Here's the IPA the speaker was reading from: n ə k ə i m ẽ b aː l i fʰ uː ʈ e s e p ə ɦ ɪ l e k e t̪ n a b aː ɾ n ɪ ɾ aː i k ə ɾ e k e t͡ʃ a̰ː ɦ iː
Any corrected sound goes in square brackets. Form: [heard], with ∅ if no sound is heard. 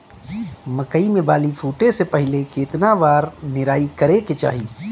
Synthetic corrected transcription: [m] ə k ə i m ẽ b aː l i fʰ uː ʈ e s e p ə ɦ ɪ l e k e t̪ n a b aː ɾ n ɪ ɾ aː i k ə ɾ e k e t͡ʃ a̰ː ɦ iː